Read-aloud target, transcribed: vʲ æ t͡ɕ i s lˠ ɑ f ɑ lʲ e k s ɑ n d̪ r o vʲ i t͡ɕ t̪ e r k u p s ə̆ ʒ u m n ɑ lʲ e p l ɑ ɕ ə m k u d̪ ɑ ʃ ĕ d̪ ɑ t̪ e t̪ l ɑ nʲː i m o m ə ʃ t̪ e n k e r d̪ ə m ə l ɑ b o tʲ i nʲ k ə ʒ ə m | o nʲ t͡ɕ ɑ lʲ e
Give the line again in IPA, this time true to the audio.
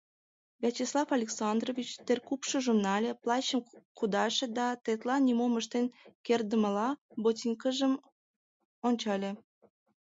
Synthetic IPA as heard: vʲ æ t͡ɕ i s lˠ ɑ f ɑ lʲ e k s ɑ n d̪ r o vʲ i t͡ɕ t̪ e r k u p ʃ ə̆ ʒ u m n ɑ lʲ e p l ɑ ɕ ə m k u d̪ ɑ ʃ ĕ d̪ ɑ t̪ e t̪ l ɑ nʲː i m o m ə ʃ t̪ e n k e r d̪ ə m ə l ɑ b o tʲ i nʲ k ə ʒ ə m | o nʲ t͡ɕ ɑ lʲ e